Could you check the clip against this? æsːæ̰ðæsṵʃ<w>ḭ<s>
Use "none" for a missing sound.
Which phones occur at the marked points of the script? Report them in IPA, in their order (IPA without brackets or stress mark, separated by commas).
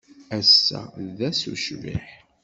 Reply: v, ħ